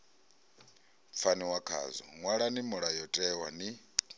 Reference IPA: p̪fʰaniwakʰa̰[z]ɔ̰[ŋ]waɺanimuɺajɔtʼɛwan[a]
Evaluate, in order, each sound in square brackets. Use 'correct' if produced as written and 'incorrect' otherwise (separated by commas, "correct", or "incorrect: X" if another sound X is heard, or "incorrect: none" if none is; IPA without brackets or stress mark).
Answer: correct, correct, incorrect: i